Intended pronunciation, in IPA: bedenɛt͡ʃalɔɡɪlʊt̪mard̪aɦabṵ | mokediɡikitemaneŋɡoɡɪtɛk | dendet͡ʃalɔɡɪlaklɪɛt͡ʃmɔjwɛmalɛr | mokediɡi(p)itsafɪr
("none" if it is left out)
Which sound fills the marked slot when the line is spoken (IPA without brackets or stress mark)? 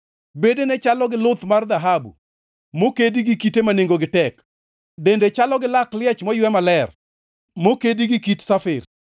k